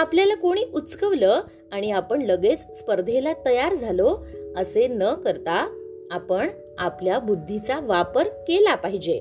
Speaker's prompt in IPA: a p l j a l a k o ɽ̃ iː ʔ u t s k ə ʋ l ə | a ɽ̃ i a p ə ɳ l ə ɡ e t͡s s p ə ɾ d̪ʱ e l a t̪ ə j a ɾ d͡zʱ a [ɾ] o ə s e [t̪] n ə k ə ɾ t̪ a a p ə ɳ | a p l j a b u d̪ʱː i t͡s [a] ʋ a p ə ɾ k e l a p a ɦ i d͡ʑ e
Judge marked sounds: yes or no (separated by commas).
no, no, yes